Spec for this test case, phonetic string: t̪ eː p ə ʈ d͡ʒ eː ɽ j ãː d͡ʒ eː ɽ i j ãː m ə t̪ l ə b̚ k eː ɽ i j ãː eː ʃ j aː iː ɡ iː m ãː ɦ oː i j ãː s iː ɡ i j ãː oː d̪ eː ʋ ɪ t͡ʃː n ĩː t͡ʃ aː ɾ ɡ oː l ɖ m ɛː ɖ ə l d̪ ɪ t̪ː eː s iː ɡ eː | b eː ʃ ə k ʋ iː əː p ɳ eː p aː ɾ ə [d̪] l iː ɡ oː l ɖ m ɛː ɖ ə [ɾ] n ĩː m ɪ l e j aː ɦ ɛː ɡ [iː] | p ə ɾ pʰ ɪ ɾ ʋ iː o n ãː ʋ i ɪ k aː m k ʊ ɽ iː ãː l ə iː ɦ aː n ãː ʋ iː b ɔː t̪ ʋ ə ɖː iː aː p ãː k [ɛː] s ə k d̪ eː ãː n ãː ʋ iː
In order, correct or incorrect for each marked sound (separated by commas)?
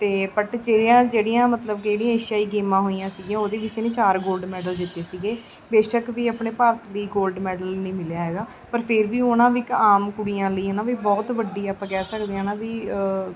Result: incorrect, incorrect, incorrect, correct